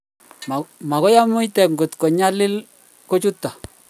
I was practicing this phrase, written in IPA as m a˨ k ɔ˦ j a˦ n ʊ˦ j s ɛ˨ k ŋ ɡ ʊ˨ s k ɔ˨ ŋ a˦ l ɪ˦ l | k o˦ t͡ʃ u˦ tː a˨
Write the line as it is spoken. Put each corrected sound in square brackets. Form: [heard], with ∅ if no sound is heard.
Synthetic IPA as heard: m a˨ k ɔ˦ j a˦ [m] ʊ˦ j [t] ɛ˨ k ŋ ɡ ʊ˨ [t] k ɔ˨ [ɲ] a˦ l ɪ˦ l | k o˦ t͡ʃ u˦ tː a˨